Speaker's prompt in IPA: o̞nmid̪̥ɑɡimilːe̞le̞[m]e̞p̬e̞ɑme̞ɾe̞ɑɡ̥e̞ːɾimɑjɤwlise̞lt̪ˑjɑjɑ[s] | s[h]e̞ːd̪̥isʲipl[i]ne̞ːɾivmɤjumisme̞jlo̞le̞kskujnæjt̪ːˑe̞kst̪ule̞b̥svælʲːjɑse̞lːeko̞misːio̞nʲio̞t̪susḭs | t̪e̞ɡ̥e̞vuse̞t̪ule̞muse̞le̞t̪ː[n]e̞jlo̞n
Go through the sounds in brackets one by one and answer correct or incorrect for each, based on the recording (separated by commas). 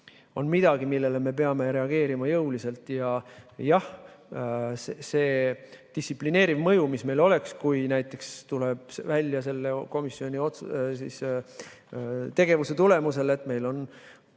correct, incorrect, incorrect, correct, incorrect